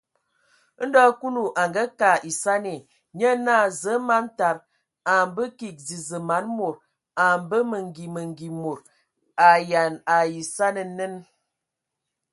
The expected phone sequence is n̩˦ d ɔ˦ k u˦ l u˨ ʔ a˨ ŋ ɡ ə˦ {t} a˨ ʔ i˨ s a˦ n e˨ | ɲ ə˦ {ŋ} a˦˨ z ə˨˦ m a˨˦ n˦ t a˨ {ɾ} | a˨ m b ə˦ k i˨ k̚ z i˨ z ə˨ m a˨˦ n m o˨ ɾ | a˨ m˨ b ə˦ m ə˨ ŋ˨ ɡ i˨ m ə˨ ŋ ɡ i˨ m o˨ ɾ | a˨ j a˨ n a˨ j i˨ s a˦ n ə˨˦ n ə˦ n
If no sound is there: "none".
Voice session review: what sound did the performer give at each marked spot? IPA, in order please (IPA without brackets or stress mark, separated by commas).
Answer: k, n, ɾ